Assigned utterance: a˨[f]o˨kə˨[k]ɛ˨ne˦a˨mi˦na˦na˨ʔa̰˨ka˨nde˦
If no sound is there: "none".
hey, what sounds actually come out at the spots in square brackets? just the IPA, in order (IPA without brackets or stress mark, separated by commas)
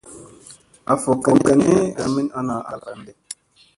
f, k